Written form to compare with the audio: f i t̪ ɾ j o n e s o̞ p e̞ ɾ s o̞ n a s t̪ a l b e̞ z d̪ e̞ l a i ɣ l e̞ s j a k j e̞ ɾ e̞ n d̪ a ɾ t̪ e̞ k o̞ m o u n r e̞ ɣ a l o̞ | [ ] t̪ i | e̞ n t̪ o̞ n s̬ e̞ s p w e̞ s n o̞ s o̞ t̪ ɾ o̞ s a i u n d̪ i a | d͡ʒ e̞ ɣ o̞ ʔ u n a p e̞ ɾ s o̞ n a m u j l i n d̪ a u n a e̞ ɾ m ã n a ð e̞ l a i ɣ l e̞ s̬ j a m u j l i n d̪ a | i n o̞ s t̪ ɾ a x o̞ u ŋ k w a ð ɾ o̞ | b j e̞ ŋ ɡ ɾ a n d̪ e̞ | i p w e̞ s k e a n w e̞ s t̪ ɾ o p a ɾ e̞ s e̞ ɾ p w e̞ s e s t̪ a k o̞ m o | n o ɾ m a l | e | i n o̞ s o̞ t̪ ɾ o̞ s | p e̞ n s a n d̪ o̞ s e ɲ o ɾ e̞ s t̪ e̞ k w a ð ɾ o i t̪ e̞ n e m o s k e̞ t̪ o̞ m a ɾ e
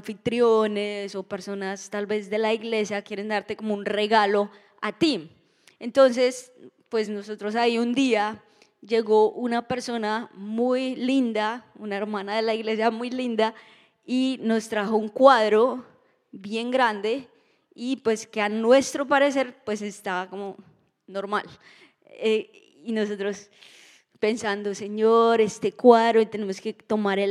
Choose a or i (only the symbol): a